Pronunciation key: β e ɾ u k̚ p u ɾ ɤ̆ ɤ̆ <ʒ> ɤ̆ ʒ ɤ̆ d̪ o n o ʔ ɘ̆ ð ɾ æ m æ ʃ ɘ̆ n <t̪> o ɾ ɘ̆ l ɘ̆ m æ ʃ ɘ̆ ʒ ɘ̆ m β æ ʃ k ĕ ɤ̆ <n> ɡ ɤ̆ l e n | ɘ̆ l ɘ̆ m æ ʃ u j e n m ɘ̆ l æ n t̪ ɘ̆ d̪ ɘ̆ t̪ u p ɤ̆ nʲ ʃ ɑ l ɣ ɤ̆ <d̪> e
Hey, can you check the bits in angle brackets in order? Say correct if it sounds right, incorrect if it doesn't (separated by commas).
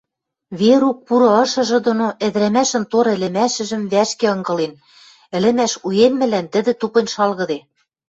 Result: incorrect, correct, incorrect, correct